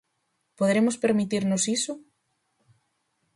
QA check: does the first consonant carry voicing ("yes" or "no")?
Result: no